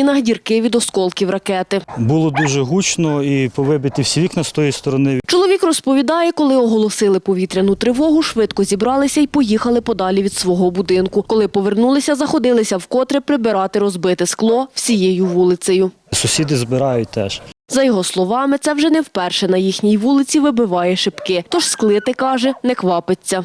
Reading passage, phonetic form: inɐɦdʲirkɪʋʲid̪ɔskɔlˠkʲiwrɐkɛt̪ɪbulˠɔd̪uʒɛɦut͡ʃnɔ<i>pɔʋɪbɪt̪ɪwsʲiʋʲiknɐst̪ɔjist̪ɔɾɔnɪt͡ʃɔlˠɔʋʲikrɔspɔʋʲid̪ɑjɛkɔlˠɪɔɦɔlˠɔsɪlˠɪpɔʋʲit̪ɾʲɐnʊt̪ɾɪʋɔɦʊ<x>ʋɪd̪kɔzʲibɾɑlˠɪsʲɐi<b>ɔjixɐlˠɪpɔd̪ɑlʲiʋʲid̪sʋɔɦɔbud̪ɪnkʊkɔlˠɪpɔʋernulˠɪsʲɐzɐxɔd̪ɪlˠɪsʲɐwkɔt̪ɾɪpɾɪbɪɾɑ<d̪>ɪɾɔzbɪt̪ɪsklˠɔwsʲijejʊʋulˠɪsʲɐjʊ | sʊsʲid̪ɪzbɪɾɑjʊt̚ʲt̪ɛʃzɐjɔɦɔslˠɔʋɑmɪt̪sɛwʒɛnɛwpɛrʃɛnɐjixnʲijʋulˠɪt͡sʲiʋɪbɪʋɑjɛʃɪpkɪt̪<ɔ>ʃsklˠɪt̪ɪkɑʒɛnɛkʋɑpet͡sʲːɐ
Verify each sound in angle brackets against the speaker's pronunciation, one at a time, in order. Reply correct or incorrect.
correct, incorrect, incorrect, incorrect, correct

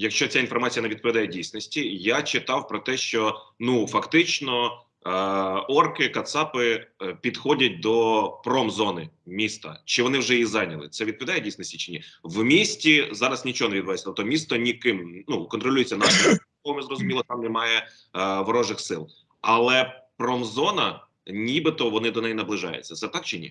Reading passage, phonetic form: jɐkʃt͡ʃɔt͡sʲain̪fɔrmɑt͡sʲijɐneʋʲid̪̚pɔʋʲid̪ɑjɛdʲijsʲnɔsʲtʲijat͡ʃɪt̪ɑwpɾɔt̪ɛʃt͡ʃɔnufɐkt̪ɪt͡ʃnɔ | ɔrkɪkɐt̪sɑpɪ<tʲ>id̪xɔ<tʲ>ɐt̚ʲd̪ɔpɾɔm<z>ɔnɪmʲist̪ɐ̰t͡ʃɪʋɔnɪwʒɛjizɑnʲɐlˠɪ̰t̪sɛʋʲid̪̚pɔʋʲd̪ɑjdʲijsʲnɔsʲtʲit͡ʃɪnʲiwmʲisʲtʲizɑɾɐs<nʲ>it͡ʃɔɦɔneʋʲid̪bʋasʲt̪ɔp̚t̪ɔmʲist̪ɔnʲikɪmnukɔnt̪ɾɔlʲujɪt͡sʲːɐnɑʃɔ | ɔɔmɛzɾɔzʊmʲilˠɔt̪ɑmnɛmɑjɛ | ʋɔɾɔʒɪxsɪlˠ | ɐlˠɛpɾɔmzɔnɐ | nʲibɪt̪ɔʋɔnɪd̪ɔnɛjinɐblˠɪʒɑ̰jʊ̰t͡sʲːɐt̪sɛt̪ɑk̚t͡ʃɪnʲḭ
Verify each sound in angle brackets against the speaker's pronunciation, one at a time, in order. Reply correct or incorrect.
incorrect, incorrect, correct, correct

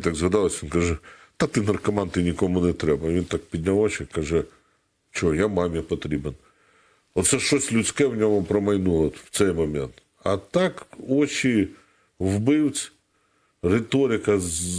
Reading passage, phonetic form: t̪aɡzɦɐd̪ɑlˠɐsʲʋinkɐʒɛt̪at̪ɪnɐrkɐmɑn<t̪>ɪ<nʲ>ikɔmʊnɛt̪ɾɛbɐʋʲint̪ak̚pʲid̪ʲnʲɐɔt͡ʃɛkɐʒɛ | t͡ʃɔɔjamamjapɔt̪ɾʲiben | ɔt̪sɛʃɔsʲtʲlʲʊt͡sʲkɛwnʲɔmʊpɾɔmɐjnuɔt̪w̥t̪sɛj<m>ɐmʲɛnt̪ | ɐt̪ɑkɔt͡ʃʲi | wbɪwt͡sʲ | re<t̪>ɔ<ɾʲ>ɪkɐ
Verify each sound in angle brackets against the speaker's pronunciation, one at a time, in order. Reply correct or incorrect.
correct, correct, correct, correct, correct

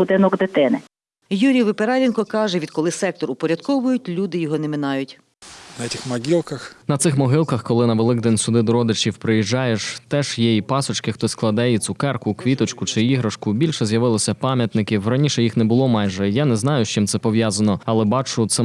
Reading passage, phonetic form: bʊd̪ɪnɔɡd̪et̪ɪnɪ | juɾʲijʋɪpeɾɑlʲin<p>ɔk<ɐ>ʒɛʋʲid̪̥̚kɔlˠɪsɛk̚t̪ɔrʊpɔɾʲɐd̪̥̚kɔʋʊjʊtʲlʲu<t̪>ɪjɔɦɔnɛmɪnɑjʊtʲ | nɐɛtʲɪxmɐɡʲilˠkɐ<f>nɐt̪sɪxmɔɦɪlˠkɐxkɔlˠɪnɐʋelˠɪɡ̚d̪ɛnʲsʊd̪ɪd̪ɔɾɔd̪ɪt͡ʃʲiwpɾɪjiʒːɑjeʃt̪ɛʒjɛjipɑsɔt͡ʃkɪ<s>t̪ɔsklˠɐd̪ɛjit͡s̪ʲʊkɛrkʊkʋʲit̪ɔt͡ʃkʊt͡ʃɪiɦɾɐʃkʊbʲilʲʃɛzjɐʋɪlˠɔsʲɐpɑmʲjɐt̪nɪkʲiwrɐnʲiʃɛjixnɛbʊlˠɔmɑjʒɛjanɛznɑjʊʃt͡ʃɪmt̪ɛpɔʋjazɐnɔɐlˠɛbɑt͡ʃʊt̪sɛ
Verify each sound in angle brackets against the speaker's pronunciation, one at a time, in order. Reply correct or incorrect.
incorrect, incorrect, incorrect, incorrect, incorrect

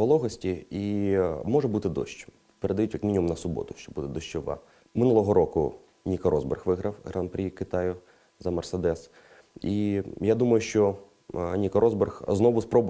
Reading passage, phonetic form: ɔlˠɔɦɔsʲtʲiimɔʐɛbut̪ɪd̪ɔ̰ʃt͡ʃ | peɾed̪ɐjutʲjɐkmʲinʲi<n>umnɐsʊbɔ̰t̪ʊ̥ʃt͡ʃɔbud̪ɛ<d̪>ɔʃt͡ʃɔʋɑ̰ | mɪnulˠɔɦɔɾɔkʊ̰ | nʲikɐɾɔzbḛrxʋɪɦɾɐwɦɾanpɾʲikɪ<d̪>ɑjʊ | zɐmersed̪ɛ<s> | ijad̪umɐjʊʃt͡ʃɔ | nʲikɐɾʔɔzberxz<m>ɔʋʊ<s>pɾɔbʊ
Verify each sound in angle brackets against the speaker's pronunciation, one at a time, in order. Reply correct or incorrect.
incorrect, correct, incorrect, correct, incorrect, correct

